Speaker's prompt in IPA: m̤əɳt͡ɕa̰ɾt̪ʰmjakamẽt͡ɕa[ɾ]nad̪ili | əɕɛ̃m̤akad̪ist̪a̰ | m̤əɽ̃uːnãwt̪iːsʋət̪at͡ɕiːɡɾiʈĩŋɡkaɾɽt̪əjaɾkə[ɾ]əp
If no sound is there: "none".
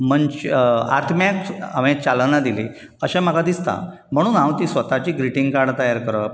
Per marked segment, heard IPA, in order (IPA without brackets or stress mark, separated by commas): l, ɾ